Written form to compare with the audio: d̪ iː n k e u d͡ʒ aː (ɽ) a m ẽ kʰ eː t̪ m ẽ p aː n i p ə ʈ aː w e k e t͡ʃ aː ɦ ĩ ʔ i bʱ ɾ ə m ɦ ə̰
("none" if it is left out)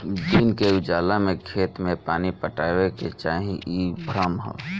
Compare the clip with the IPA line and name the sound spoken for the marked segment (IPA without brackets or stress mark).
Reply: l